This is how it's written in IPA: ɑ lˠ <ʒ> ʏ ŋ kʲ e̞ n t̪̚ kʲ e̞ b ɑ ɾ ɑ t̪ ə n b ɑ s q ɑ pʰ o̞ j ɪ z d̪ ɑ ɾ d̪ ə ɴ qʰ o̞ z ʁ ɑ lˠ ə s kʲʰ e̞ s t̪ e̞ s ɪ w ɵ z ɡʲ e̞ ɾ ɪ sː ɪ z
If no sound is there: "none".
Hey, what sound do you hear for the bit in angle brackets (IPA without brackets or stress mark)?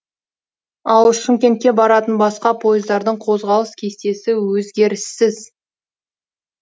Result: ʃ